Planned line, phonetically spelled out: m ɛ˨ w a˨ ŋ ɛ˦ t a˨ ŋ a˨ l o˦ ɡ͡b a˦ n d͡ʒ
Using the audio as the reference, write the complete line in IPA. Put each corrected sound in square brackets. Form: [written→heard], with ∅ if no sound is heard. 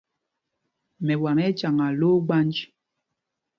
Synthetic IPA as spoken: m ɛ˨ w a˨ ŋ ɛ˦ [t→t͡ʃ] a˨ ŋ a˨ l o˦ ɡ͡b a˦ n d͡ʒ